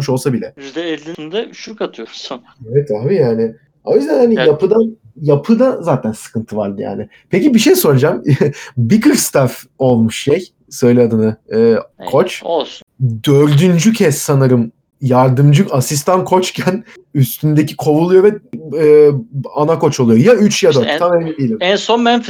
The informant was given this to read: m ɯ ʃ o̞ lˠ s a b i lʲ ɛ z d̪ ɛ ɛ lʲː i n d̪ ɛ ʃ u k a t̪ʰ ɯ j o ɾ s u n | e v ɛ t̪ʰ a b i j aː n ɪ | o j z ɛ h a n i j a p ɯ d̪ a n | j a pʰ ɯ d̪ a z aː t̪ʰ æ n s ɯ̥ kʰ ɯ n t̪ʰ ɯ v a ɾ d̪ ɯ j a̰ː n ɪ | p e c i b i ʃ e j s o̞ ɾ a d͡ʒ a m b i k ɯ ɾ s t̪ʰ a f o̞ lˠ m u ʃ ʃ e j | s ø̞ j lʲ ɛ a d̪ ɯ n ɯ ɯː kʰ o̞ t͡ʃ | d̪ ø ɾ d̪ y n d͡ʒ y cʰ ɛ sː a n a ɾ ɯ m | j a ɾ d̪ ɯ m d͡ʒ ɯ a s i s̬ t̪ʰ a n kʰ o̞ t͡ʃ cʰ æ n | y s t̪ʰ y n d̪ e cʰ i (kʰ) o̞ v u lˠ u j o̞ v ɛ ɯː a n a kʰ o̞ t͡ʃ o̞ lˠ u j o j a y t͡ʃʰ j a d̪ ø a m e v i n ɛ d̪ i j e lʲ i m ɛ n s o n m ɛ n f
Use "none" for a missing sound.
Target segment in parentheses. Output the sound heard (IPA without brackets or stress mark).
kʰ